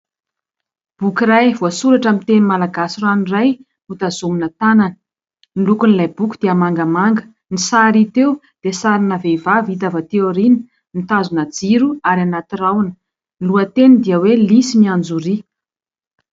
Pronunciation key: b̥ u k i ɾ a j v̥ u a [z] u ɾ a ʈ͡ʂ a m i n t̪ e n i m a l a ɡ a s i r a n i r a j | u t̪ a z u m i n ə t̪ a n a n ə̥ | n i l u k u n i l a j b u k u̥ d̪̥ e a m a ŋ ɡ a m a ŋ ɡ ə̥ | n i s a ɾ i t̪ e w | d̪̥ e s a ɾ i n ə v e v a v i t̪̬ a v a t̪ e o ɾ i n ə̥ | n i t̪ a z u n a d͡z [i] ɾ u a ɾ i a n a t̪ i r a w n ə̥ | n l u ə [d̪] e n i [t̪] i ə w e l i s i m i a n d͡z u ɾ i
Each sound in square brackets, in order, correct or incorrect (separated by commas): incorrect, correct, incorrect, incorrect